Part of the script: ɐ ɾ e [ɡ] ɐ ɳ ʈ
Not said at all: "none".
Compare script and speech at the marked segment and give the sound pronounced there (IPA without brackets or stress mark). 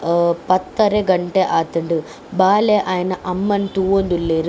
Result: ɡ